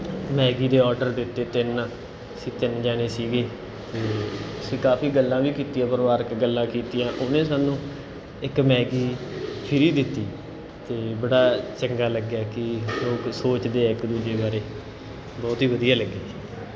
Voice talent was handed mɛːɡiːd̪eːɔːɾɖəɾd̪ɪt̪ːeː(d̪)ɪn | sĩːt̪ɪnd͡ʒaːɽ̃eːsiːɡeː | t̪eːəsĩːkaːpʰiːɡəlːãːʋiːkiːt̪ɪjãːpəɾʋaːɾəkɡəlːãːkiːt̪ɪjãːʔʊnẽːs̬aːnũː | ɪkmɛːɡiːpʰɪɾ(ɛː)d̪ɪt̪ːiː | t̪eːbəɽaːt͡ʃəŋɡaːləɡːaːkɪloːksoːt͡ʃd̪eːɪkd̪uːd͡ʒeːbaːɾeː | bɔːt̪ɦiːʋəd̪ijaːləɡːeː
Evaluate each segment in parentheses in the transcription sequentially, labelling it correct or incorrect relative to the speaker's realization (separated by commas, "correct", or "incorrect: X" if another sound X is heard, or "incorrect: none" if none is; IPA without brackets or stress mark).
incorrect: t̪, incorrect: iː